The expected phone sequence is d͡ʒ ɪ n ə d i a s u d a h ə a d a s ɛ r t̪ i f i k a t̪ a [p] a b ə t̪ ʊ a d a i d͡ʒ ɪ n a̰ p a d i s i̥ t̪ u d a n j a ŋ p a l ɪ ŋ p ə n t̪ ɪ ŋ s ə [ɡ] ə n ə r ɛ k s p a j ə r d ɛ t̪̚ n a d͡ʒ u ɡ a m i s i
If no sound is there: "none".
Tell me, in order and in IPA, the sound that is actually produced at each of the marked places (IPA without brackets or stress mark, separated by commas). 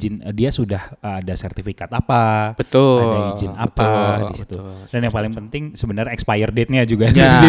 p, b